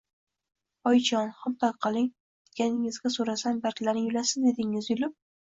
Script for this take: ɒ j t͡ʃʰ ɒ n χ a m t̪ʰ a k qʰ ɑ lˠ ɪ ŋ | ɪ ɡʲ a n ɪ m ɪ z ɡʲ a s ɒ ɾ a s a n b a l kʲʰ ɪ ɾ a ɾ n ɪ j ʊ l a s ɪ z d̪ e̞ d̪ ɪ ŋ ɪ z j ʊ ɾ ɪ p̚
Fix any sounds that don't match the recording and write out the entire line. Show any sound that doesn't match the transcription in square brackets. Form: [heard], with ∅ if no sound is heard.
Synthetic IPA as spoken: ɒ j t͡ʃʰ ɒ n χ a m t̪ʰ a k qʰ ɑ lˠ ɪ ŋ | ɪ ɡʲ a n ɪ [ŋ] ɪ z ɡʲ a s [o] ɾ a s a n b a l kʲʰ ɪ [l] a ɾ n ɪ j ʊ l a s ɪ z d̪ e̞ d̪ ɪ ŋ ɪ z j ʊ [l] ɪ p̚